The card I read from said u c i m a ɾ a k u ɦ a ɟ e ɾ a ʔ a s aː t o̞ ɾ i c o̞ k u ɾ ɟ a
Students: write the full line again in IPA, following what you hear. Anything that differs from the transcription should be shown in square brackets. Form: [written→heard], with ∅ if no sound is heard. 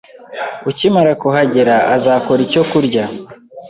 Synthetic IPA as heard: u c i m a ɾ a k u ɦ a ɟ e ɾ a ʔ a [s→z] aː [t→k] o̞ ɾ i c o̞ k u ɾ ɟ a